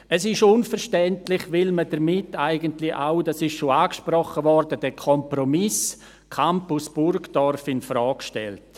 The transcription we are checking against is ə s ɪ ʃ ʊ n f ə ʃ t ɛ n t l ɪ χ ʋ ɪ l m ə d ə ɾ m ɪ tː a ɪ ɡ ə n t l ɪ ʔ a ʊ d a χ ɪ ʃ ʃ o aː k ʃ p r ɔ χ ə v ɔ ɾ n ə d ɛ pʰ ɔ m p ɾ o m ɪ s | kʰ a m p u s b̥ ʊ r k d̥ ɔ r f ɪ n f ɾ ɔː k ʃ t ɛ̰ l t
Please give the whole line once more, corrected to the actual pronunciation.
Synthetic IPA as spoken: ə s ɪ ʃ ʊ n f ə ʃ t ɛ n t l ɪ χ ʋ ɪ l m ə d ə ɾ m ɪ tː a ɪ ɡ ə n t l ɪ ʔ a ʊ d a s ɪ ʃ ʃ o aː k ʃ p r ɔ χ ə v ɔ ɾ d ə d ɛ kʰ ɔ m p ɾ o m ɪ s | kʰ a m p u s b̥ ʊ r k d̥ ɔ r f ɪ n f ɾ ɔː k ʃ t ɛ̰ l t